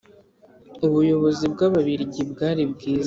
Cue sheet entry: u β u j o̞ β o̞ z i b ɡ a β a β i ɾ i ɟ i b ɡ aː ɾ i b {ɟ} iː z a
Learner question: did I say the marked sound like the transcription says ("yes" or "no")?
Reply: no